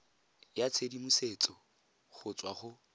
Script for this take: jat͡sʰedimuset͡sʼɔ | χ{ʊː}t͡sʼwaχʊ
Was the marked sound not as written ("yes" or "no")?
yes